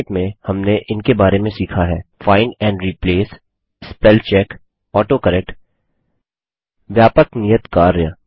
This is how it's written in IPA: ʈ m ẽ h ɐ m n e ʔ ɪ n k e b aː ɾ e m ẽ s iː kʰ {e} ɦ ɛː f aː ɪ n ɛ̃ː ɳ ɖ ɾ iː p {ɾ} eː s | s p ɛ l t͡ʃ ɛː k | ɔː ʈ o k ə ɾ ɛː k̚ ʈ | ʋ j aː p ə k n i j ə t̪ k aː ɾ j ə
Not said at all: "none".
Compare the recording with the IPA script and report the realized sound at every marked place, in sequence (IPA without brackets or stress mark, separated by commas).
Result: a, l